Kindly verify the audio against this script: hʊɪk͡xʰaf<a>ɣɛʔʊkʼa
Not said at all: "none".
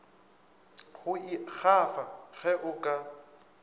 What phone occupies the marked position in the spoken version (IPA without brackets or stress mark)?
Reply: a